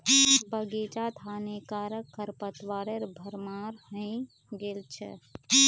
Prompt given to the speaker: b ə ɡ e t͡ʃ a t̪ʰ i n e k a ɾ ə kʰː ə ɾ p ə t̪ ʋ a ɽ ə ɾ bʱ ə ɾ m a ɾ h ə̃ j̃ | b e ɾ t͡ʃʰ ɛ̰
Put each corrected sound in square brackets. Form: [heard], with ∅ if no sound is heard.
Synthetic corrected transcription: b ə ɡ e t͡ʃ a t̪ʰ [a] n e k a ɾ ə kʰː ə ɾ p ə t̪ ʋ a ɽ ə ɾ bʱ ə ɾ m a ɾ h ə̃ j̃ | [ɡ] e [l] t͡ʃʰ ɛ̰